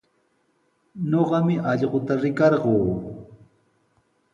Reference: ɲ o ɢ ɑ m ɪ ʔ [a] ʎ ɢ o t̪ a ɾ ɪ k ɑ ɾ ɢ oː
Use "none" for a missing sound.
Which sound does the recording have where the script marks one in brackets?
ɑ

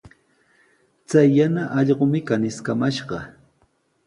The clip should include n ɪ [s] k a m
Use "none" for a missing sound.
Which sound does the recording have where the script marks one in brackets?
s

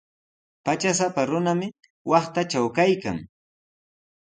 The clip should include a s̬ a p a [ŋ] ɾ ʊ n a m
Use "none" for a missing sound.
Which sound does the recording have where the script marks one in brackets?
none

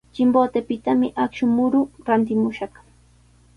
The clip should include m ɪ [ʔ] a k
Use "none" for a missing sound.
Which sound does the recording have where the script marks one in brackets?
ʔ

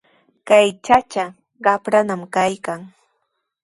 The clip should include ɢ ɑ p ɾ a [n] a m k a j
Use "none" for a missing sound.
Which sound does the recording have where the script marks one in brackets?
n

